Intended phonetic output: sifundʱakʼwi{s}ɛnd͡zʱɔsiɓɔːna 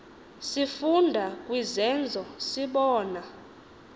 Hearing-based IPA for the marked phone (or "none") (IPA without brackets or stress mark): z